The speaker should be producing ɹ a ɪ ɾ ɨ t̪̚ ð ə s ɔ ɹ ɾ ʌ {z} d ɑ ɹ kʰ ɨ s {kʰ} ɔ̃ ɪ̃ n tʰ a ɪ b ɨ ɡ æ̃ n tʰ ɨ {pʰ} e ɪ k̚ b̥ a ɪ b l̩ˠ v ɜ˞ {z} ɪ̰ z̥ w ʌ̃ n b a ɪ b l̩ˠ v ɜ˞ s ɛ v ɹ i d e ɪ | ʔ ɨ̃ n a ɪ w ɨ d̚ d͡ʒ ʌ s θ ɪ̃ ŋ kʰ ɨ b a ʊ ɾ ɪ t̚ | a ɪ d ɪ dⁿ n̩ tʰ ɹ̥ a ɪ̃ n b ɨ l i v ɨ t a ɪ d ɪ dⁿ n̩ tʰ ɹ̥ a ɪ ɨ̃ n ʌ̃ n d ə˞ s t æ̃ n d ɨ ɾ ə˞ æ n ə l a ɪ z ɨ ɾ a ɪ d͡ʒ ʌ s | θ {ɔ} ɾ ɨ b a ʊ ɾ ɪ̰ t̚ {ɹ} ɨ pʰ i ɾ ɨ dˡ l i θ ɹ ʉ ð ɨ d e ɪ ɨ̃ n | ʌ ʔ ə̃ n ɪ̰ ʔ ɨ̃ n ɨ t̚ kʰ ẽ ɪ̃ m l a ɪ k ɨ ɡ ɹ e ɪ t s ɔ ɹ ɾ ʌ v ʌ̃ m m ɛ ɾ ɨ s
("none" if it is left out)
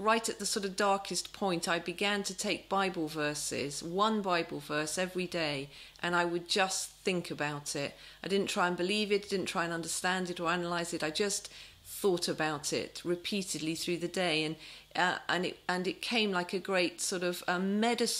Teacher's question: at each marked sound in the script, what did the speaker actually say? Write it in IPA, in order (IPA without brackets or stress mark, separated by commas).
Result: v, pʰ, tʰ, s, ɔ, ɹ